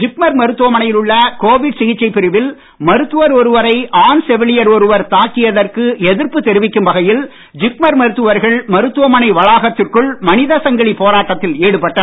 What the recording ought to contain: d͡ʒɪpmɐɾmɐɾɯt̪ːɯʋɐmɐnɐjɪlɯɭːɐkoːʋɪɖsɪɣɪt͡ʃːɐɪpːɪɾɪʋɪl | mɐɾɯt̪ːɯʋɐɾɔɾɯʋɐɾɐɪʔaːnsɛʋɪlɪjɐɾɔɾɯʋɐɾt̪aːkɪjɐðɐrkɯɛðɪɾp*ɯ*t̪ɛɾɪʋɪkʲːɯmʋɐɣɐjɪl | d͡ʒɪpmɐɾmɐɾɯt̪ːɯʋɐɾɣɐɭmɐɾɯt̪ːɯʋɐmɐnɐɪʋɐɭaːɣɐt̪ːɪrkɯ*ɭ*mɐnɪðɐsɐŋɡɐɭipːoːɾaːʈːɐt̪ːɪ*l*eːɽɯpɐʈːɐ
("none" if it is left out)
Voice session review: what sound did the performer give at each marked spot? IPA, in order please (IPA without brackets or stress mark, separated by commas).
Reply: ɯ, ɭ, l